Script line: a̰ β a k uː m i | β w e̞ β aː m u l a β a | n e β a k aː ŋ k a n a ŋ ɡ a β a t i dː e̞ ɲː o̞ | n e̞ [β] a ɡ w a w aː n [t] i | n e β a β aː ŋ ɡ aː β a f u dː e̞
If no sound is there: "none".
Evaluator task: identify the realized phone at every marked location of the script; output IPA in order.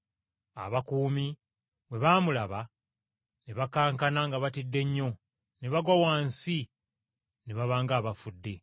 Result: β, s

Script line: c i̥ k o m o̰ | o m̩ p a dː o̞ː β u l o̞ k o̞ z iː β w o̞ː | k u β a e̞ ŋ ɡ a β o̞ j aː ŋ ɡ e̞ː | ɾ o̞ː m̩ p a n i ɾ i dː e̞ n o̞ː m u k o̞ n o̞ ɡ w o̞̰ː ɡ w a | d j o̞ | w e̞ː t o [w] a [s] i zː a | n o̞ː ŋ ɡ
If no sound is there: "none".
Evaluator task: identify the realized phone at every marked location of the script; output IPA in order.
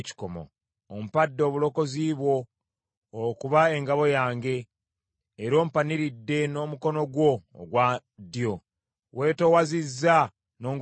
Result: w, z

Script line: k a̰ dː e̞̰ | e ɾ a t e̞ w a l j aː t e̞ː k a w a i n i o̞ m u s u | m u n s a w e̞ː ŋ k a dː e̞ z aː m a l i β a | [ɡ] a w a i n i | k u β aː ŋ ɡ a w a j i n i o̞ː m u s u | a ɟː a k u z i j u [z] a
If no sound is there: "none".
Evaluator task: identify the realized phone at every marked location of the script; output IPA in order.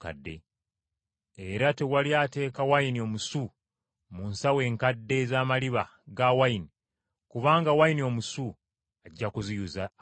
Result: ɡ, z

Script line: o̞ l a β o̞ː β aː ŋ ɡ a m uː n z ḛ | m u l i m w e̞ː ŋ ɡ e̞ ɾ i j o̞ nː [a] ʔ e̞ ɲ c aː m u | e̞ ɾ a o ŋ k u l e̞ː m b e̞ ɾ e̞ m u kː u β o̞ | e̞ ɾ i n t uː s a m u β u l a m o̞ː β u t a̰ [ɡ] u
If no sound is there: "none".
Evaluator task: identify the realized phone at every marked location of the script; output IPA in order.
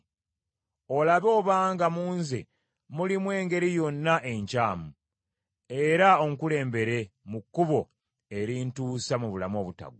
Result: a, ɡ

